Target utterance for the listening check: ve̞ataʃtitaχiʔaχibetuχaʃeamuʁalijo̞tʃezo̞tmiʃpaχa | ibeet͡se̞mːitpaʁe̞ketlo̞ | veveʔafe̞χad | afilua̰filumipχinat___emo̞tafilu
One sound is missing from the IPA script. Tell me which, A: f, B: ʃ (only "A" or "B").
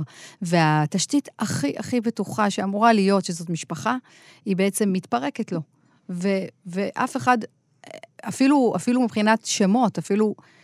B